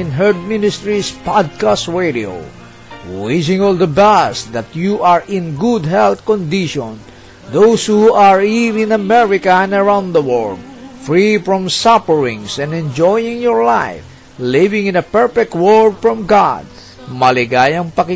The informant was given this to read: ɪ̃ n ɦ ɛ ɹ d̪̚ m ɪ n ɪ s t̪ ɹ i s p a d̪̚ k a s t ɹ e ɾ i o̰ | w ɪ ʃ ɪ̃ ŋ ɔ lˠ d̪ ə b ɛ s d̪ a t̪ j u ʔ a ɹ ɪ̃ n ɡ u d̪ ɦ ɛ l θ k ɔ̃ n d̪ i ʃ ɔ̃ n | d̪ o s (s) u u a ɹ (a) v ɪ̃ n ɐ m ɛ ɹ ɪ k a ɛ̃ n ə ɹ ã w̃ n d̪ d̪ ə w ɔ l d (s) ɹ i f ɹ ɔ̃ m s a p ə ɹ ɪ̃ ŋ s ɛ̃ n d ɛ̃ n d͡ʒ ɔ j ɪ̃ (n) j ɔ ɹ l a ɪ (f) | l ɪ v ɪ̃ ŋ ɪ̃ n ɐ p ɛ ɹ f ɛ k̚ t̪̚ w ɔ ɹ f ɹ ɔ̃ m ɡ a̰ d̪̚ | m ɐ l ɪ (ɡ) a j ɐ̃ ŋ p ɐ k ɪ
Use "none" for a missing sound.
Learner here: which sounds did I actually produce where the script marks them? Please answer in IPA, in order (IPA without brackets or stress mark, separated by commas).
h, i, f, ŋ, f, ɡ